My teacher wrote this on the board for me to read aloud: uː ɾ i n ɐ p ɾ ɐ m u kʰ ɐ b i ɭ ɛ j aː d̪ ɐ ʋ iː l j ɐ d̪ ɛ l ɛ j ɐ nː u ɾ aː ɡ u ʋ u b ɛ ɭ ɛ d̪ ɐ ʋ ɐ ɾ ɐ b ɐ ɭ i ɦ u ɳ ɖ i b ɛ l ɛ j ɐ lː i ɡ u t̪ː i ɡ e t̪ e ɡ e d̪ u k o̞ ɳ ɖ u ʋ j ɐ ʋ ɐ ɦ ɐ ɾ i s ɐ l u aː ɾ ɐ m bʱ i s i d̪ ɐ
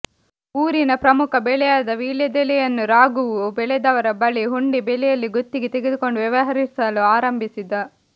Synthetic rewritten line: uː ɾ i n ɐ p ɾ ɐ m u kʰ ɐ b ɛ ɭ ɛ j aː d̪ ɐ ʋ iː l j ɐ d̪ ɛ l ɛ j ɐ nː u ɾ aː ɡ u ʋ u b ɛ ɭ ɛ d̪ ɐ ʋ ɐ ɾ ɐ b ɐ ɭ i ɦ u ɳ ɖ i b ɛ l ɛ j ɐ lː i ɡ o t̪ː i ɡ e t̪ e ɡ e d̪ u k o̞ ɳ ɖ u ʋ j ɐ ʋ ɐ ɦ ɐ ɾ i s ɐ l u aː ɾ ɐ m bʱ i s i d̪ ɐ